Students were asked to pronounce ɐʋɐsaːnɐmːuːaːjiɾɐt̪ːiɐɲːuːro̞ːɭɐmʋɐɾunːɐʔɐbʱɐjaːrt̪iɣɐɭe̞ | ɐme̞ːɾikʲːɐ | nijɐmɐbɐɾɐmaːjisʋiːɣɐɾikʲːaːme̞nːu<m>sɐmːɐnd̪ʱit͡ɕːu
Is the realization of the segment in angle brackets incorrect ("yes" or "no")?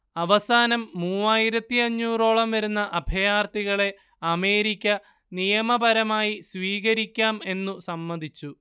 yes